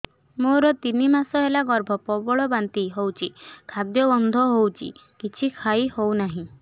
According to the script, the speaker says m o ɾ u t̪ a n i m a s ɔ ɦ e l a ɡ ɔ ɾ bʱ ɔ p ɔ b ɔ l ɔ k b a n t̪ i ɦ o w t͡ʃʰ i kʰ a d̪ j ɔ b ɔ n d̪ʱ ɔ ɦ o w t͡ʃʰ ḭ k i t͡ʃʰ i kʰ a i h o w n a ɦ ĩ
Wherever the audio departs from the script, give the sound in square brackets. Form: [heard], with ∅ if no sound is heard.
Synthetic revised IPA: m o ɾ [ɔ] t̪ [i] n i m a s ɔ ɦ e l a ɡ ɔ ɾ bʱ ɔ p ɔ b ɔ [ɭ] ɔ [∅] b a n t̪ i ɦ o w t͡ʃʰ i kʰ a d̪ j ɔ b ɔ n d̪ʱ ɔ ɦ o w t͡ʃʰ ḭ k i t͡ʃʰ i kʰ a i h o w n a ɦ ĩ